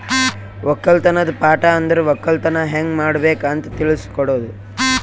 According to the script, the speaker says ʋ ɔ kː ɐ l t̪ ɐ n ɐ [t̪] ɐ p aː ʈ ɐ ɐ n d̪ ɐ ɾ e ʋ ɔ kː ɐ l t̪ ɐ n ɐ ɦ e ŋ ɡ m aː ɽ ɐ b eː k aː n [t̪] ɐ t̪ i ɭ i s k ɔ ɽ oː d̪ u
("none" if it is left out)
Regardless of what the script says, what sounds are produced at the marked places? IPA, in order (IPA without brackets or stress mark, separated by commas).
d̪, t̪